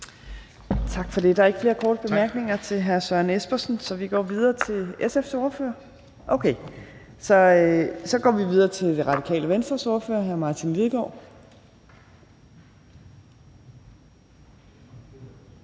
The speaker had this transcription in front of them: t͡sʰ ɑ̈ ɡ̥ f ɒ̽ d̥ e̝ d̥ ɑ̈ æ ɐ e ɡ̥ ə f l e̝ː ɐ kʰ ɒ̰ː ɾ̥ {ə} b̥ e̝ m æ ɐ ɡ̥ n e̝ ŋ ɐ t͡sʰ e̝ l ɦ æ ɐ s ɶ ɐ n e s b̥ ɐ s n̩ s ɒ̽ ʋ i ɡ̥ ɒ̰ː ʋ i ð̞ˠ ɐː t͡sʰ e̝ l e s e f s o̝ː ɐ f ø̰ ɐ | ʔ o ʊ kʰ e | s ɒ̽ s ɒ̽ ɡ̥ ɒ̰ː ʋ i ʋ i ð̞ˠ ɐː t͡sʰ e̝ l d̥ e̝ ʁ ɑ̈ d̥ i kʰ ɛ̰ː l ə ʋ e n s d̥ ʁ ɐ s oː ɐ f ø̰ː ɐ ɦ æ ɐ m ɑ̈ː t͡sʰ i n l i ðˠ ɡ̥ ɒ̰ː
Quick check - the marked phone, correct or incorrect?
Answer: correct